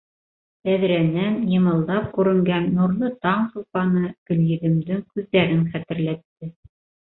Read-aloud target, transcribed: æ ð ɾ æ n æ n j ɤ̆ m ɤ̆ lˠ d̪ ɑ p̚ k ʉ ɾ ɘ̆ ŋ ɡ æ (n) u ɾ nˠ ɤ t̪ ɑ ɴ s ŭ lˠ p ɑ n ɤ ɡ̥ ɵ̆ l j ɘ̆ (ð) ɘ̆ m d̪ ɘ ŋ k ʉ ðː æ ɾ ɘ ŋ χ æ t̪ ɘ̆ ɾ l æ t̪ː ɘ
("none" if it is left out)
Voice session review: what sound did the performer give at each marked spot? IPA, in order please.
nː, ð

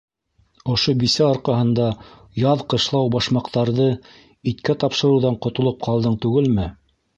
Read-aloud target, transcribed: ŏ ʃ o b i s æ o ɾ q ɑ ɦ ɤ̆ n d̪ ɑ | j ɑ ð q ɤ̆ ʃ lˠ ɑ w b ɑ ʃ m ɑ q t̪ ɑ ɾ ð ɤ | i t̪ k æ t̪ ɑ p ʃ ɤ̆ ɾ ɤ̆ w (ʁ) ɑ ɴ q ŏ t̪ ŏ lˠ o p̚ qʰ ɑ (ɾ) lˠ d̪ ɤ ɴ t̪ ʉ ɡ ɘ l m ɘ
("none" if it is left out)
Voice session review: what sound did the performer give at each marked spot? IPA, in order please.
ð, none

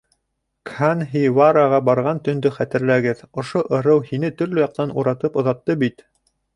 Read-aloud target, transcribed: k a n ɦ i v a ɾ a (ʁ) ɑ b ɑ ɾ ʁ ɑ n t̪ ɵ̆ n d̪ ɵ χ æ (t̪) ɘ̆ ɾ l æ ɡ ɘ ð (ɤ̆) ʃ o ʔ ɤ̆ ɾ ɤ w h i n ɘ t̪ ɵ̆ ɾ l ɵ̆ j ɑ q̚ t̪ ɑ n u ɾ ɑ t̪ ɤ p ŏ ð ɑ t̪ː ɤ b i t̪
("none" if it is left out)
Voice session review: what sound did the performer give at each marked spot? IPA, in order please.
ʁ, t̪, ŏ

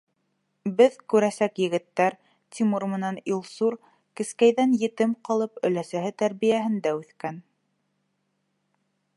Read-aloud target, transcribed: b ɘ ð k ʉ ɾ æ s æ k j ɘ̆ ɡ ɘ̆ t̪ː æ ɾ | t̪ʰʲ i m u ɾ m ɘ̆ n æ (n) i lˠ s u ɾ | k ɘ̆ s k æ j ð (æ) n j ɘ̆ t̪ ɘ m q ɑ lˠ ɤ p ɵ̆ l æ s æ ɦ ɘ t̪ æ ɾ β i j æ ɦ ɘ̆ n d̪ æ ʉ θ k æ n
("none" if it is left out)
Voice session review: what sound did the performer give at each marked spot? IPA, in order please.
n, æ

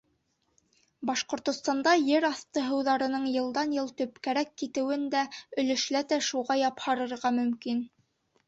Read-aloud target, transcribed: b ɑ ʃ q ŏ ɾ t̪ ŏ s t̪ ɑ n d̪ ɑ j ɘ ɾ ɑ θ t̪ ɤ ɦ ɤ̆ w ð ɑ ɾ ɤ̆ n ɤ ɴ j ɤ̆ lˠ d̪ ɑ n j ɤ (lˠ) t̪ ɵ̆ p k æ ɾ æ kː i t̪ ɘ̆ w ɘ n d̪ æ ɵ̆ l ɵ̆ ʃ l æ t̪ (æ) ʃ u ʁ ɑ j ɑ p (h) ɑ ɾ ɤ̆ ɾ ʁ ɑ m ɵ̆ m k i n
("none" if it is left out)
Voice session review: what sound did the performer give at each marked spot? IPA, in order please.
lˠ, æ, h

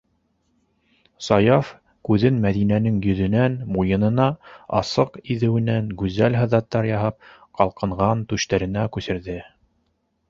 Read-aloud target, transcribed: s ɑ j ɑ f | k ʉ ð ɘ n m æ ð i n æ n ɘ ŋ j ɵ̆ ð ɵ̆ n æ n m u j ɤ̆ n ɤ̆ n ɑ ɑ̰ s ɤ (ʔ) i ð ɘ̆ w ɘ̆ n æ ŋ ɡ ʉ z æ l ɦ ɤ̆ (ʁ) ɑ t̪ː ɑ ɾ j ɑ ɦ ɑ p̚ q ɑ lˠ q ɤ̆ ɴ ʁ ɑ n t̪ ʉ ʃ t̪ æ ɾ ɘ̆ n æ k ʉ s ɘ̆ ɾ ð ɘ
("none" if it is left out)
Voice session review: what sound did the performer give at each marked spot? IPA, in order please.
q, ð

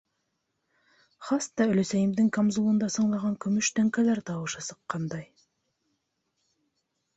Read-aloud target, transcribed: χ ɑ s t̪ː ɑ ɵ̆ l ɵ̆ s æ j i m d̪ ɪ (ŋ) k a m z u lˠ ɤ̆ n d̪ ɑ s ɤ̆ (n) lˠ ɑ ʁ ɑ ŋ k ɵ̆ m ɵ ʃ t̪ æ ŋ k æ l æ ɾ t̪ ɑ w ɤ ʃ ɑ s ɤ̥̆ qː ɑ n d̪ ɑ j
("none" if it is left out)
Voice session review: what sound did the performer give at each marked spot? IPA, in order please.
ŋ, ɴ

